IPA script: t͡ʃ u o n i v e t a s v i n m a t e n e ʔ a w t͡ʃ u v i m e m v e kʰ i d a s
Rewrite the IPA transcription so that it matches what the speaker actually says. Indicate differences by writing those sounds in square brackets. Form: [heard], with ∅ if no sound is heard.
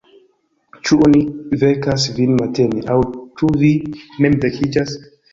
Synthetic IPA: t͡ʃ u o n i v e [k] a s v i n m a t e n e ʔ a w t͡ʃ u v i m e m v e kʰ i [d͡ʒ] a s